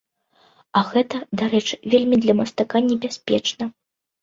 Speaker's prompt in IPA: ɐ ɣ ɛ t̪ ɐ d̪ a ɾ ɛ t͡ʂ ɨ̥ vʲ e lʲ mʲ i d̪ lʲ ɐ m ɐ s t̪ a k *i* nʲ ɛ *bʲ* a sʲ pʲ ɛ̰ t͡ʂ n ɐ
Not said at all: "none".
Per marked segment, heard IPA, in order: a, bʲ

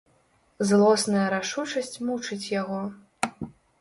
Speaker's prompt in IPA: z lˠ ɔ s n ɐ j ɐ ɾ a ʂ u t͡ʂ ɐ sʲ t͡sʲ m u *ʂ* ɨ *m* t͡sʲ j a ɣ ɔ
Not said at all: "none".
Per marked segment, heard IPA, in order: t͡ʂ, none

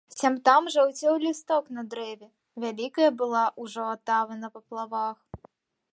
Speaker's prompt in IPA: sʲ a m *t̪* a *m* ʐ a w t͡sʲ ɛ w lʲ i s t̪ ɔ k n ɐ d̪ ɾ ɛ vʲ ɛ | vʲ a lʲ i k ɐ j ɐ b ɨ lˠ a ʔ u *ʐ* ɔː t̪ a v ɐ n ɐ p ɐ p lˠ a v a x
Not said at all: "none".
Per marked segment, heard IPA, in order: t̪, m, ʐ

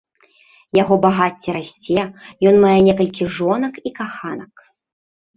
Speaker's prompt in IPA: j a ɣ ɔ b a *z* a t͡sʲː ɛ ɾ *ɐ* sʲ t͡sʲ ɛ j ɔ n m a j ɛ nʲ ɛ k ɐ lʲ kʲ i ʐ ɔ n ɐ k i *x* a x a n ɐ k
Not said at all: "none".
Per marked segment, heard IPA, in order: ɣ, a, k

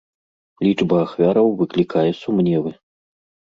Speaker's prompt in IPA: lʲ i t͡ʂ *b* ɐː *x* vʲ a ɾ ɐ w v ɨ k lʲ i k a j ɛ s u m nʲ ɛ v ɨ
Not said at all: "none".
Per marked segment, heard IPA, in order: b, x

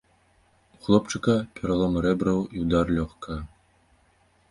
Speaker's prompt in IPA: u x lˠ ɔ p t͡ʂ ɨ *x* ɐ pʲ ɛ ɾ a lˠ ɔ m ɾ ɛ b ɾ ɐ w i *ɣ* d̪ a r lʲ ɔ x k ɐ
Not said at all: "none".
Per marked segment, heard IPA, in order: k, w

